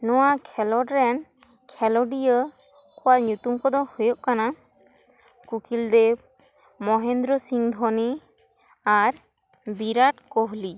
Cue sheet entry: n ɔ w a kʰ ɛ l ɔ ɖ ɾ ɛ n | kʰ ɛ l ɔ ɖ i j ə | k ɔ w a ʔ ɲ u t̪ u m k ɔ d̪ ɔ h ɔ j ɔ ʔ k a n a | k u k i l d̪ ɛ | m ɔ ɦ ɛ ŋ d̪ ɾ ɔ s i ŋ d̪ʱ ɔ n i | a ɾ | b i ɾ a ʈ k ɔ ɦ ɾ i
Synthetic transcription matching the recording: n ɔ w a kʰ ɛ l ɔ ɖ ɾ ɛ n | kʰ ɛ l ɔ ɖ i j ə | k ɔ w a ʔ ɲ u t̪ u m k ɔ d̪ ɔ h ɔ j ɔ ʔ k a n a | k u k i l d̪ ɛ | m ɔ ɦ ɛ n d̪ ɾ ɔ s i ŋ d̪ʱ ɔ n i | a ɾ | b i ɾ a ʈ k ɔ ɦ l i